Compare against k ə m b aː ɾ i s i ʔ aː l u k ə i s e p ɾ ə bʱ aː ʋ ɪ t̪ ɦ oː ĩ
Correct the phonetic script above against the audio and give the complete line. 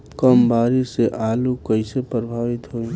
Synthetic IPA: k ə m b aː ɾ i s e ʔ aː l u k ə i s e p ɾ ə bʱ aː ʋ ɪ t̪ ɦ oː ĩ